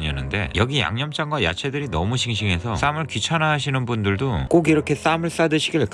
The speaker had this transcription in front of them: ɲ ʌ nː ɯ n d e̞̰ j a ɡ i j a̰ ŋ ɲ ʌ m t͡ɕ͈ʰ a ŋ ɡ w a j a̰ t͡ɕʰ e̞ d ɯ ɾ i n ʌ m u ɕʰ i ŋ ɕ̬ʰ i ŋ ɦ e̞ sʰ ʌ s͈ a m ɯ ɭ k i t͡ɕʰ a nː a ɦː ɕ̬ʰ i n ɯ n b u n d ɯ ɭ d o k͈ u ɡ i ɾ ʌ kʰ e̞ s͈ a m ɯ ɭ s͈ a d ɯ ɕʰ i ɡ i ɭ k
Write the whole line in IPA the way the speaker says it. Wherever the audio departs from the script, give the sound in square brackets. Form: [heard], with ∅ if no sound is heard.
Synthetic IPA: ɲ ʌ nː ɯ n d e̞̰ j [ʌ] ɡ i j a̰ ŋ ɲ ʌ m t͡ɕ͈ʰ a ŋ ɡ w a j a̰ t͡ɕʰ e̞ d ɯ ɾ i n ʌ m u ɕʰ i ŋ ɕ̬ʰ i ŋ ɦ e̞ sʰ ʌ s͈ a m ɯ ɭ k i t͡ɕʰ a [n] a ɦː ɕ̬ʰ i n ɯ n b u n d ɯ ɭ d o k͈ [o] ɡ i ɾ ʌ kʰ e̞ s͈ a m ɯ ɭ s͈ a d ɯ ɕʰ i ɡ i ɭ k